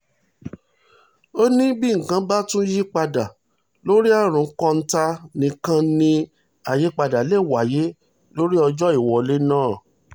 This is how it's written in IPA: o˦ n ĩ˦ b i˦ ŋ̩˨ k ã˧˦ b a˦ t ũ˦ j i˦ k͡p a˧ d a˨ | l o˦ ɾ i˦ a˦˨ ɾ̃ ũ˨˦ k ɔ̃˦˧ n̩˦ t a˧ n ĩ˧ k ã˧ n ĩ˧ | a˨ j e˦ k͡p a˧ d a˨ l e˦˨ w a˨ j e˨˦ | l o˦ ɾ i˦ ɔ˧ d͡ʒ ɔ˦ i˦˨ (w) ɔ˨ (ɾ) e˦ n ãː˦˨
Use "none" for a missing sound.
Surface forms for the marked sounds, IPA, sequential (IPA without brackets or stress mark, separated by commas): w, l